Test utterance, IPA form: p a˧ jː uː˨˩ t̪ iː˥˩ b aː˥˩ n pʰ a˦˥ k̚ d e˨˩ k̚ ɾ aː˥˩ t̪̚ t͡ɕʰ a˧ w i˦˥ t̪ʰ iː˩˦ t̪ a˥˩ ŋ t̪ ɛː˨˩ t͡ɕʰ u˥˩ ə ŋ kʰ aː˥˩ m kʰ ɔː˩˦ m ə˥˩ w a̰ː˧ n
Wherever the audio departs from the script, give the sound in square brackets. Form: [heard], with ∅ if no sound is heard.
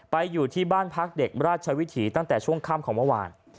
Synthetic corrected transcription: p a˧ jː uː˨˩ [t̪ʰ] iː˥˩ b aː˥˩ n pʰ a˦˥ k̚ d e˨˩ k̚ ɾ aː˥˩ t̪̚ t͡ɕʰ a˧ w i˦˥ t̪ʰ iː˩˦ t̪ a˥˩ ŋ t̪ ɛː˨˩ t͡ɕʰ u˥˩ ə ŋ kʰ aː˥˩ m kʰ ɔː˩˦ m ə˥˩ w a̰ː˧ n